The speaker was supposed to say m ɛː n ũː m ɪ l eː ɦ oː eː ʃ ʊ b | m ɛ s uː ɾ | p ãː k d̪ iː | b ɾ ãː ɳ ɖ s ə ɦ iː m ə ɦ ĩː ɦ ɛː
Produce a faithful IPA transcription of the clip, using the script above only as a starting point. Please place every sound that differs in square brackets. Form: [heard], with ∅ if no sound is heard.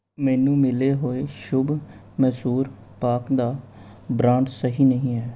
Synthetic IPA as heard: m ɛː n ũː m ɪ l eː ɦ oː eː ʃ ʊ b | m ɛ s uː ɾ | p [aː] k d̪ [aː] | b ɾ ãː ɳ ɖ s ə ɦ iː [n] ə ɦ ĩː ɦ ɛː